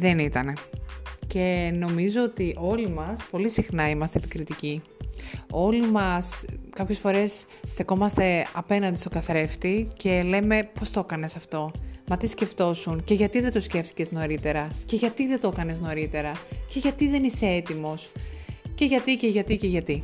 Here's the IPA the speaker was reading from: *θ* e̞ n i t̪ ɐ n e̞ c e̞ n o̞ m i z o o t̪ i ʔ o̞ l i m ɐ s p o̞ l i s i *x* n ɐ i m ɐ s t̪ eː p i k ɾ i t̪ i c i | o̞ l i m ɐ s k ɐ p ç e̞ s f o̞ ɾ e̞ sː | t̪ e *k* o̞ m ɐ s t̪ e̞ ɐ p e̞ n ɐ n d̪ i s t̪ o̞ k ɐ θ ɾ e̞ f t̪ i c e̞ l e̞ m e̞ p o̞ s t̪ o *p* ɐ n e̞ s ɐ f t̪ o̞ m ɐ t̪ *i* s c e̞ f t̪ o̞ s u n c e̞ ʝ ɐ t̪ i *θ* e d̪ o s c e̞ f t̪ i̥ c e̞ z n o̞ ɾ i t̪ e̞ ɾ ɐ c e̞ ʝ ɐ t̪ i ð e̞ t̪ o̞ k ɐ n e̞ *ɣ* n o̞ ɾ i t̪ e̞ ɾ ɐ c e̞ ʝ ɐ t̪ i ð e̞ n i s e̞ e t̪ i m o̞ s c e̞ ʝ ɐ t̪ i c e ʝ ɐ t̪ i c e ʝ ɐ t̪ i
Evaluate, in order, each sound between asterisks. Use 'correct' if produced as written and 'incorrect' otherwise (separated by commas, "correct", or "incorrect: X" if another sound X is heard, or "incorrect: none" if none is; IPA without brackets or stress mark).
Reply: incorrect: ð, correct, correct, incorrect: k, correct, incorrect: ð, incorrect: z